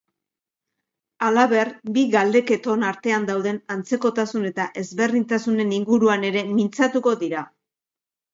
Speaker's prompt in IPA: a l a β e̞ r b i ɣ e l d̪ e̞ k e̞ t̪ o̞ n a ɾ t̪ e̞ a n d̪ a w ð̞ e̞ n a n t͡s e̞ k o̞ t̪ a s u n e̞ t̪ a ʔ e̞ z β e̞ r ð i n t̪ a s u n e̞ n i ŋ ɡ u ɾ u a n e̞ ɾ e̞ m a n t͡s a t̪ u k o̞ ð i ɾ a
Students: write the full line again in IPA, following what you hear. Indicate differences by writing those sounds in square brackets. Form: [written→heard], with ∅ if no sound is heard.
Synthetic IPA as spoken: a l a β e̞ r b i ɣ [e→a] l d̪ e̞ k e̞ t̪ o̞ n a ɾ t̪ e̞ a n d̪ a w ð̞ e̞ n a n t͡s e̞ k o̞ t̪ a s u n e̞ t̪ a ʔ e̞ z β e̞ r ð i n t̪ a s u n e̞ n i ŋ ɡ u ɾ u a n e̞ ɾ e̞ m [a→i] n t͡s a t̪ u k o̞ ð i ɾ a